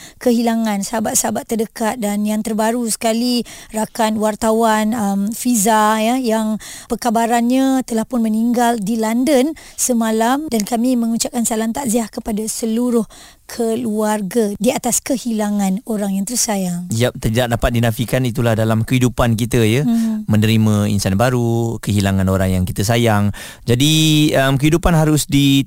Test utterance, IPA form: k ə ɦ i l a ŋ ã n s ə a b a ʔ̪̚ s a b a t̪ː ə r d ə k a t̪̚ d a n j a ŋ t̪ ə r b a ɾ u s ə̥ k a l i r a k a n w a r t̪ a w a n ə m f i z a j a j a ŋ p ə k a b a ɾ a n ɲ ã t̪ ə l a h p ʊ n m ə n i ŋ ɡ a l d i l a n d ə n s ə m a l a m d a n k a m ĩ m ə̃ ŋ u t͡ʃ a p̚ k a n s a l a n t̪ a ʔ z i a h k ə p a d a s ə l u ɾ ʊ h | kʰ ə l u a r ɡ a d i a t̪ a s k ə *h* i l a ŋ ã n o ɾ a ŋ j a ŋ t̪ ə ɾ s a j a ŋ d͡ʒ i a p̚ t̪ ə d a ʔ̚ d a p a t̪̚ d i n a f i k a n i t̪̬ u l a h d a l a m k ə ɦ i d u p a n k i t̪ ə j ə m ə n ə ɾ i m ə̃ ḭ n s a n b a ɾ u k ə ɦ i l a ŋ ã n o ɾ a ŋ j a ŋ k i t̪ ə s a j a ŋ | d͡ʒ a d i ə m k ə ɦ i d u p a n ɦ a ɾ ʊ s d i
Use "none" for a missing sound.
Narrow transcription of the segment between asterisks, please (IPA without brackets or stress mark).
h